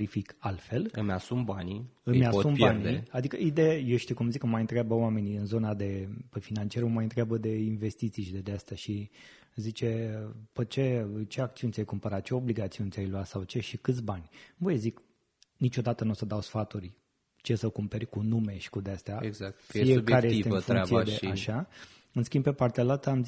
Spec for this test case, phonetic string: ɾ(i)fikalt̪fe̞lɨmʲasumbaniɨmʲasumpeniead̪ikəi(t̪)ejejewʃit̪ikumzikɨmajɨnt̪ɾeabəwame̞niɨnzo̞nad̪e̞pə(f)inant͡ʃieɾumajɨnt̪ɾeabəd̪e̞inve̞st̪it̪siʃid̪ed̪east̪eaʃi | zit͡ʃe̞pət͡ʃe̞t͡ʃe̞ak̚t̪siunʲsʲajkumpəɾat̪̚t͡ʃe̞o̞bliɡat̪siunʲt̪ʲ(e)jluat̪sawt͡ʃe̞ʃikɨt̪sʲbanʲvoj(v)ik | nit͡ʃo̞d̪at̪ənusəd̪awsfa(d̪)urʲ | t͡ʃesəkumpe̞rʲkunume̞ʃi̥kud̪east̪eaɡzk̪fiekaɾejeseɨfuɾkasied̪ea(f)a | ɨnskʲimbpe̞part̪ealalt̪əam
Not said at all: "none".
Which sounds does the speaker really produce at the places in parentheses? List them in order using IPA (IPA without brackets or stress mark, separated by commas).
i, d̪, f, a, z, t̪, ʃ